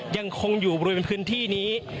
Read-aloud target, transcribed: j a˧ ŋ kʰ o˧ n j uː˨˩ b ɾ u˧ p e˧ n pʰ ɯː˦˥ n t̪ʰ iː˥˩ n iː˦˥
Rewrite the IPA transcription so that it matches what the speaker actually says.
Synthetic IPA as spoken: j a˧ ŋ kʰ o˧ ŋ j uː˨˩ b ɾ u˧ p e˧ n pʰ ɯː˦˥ n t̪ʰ iː˥˩ n iː˦˥